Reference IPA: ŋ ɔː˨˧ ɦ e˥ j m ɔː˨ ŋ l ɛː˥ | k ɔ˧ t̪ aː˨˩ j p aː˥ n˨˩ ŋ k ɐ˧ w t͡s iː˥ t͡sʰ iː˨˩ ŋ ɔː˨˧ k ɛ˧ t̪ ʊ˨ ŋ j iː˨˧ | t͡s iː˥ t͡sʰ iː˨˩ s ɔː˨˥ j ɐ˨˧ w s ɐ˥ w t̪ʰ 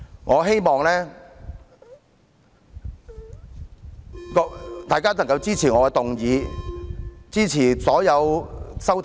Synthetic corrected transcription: ŋ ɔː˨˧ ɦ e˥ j m ɔː˨ ŋ l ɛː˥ | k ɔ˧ t̪ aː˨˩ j k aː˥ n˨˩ ŋ k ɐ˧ w t͡s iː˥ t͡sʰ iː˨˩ ŋ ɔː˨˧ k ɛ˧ t̪ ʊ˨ ŋ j iː˨˧ | t͡s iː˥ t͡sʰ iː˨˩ s ɔː˨˥ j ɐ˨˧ w s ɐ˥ w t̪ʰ